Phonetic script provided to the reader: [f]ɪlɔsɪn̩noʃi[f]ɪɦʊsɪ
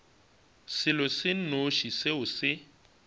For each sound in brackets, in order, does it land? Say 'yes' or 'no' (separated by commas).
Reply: no, no